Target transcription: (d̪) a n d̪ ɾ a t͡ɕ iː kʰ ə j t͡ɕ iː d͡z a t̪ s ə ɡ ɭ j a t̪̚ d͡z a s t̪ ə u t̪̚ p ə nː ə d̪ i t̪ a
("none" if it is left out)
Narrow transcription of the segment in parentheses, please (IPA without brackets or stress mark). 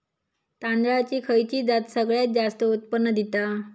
t̪